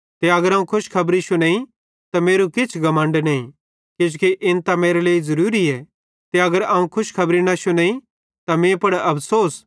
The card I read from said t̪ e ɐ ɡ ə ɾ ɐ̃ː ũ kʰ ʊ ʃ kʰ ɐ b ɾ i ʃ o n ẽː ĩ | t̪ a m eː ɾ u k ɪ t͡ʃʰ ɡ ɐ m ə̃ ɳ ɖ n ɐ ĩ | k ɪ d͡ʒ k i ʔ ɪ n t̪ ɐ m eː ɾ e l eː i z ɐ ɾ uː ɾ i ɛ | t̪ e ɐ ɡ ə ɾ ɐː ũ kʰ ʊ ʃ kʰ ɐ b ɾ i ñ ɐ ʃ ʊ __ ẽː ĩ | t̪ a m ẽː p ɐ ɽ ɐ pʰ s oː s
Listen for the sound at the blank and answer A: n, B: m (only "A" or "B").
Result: A